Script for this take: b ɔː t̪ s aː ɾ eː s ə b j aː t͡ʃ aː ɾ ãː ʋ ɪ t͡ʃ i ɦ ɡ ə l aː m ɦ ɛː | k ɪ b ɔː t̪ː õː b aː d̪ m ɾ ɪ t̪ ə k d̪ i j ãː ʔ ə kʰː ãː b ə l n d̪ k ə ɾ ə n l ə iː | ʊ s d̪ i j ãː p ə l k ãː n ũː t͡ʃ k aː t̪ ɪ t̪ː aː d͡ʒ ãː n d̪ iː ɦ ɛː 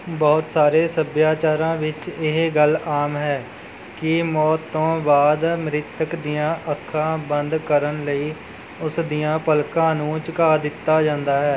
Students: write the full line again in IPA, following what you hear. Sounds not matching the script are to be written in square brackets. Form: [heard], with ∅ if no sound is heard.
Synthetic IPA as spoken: b ɔː t̪ s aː ɾ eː s ə b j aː t͡ʃ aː ɾ ãː ʋ ɪ t͡ʃ [ɪ] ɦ ɡ ə l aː m ɦ ɛː | k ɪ [m] ɔː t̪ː õː b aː d̪ m ɾ ɪ t̪ ə k d̪ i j ãː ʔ ə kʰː ãː b ə [∅] n d̪ k ə ɾ ə n l ə iː | ʊ s d̪ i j ãː p ə l k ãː n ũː t͡ʃ k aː [d̪] ɪ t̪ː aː d͡ʒ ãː n d̪ [aː] ɦ ɛː